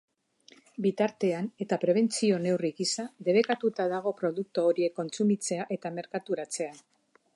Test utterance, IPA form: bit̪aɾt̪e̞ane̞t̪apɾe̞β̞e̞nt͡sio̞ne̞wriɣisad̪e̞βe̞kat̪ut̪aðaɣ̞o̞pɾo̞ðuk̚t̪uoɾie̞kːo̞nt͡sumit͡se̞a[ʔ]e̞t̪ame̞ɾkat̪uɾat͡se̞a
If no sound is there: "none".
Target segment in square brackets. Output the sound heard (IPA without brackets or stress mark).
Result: ʔ